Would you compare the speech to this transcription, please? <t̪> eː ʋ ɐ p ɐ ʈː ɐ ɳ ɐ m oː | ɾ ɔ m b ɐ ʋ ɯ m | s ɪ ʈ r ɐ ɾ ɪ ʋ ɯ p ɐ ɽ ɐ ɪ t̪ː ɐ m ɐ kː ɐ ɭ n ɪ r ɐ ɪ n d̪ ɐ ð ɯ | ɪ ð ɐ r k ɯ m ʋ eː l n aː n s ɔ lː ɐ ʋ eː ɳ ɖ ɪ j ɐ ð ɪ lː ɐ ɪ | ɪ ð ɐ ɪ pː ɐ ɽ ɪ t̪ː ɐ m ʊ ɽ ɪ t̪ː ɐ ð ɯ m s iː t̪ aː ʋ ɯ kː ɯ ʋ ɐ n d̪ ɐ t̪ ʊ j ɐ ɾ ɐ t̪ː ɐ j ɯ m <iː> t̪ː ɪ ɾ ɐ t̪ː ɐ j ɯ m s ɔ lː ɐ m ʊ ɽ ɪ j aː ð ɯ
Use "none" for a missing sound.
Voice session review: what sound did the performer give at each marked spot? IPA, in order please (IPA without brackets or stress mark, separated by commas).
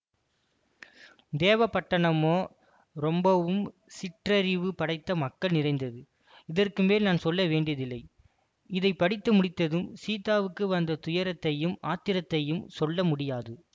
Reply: d̪, aː